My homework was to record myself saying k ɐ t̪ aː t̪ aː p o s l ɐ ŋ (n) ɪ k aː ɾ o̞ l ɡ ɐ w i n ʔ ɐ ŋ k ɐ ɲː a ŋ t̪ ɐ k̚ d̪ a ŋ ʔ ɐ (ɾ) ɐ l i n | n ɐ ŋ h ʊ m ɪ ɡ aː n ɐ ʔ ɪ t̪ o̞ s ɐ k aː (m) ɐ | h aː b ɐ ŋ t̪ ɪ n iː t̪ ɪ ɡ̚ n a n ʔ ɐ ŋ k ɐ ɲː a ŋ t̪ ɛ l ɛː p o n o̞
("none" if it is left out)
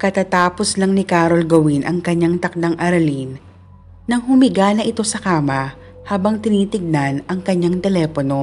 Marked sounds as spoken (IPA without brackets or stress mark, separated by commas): n, ɾ, m